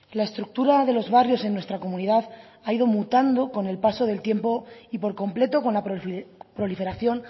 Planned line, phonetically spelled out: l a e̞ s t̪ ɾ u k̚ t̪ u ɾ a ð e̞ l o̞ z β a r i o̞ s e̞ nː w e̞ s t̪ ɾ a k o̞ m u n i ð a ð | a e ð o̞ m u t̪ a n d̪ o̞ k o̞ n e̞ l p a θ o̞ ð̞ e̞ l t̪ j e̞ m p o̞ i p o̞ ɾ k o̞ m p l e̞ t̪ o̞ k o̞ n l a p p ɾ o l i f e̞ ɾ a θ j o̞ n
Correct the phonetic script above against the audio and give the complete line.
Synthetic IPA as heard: l a e̞ s t̪ ɾ u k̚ t̪ u ɾ a ð e̞ l o̞ z β a r j o̞ s e̞ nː w e̞ s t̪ ɾ a k o̞ m u n i ð a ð | a i ð o̞ m u t̪ a n d̪ o̞ k o̞ n e̞ l p a s o̞ ð̞ e̞ l t̪ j e̞ m p o̞ i p o̞ ɾ k o̞ m p l e̞ t̪ o̞ k o̞ n l a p p ɾ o l i f e̞ ɾ a θ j o̞ n